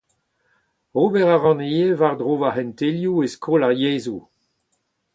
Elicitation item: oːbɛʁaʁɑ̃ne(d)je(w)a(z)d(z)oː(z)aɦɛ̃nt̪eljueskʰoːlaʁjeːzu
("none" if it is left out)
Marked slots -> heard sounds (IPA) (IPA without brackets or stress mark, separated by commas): none, v, ʁ, ʁ, v